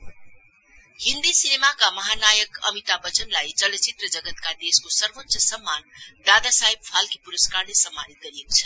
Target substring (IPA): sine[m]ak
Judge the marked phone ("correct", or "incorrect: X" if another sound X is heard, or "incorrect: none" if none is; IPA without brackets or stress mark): correct